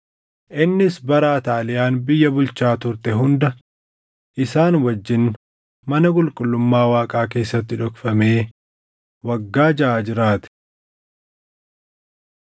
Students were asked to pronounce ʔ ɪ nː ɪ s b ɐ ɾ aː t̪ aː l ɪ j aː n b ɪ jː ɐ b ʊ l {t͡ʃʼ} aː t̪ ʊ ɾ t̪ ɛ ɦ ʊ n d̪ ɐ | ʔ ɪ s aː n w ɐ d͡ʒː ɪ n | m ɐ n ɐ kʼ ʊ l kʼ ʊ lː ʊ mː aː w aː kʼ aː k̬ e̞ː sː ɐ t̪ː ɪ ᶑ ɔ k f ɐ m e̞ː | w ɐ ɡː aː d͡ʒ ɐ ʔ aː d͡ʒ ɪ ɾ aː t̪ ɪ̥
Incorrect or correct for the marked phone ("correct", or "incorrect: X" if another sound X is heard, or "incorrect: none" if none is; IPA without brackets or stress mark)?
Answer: incorrect: t͡ʃ